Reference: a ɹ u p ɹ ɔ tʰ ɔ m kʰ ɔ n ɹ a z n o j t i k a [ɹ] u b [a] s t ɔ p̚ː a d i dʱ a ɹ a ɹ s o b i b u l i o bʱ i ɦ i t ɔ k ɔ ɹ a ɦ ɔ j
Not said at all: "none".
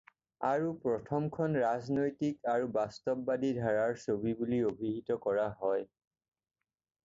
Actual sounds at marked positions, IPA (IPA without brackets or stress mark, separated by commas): ɹ, a